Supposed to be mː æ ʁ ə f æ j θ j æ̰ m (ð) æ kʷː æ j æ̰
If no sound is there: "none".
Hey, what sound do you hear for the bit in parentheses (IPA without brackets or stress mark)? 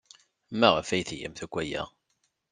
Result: θ